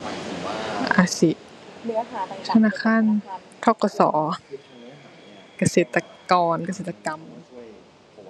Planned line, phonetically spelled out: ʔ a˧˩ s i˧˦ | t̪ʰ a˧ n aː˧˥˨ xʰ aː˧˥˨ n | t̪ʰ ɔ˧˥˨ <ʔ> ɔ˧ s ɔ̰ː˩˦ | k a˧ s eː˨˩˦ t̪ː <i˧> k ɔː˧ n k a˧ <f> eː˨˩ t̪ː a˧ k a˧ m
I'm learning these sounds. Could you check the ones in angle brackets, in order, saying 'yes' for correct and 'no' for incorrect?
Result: no, no, no

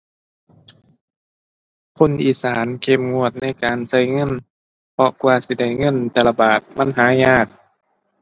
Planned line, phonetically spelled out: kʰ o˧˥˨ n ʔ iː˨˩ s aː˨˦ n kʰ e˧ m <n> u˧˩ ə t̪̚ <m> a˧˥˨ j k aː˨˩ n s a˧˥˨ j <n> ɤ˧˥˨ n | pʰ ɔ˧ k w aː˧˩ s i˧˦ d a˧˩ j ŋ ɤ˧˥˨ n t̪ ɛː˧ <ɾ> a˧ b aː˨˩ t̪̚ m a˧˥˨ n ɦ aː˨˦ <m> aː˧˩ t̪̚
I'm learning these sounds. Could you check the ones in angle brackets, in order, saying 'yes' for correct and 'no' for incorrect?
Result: no, no, no, no, no

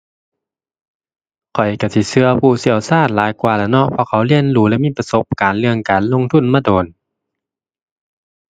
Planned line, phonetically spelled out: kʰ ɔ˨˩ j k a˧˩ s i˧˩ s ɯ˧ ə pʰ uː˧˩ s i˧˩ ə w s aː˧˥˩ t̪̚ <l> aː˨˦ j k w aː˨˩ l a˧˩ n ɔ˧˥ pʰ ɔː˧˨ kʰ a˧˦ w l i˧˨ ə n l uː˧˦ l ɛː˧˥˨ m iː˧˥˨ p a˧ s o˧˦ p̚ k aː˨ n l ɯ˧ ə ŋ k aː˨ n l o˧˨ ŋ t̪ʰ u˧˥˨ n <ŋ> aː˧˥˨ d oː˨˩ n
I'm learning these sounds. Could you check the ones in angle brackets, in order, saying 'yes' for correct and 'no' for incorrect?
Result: yes, no

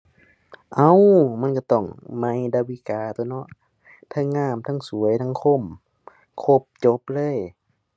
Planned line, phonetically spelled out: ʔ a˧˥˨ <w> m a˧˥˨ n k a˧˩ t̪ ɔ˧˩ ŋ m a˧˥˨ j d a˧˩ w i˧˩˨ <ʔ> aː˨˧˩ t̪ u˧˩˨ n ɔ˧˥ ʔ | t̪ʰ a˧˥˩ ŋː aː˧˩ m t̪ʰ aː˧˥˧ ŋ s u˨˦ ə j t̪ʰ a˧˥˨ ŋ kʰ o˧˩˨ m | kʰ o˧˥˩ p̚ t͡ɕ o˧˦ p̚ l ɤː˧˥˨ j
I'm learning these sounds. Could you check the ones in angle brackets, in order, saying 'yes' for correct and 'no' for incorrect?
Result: yes, no

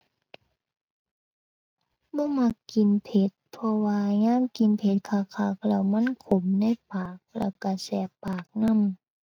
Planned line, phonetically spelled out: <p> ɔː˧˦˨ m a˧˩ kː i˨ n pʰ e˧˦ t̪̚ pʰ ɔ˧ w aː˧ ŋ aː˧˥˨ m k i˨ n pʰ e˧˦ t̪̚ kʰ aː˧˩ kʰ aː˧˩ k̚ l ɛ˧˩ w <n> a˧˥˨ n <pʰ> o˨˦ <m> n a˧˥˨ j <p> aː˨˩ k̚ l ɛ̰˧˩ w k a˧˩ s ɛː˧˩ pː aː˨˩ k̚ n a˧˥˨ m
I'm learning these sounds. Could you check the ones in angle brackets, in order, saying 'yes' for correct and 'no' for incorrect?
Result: no, no, no, yes, yes

